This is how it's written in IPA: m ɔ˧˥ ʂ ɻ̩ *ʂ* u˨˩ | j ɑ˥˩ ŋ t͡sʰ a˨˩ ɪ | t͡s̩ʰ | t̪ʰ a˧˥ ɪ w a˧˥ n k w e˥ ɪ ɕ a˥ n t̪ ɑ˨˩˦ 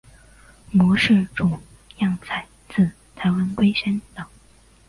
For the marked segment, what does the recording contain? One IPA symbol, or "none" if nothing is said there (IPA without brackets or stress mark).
ʈ͡ʂ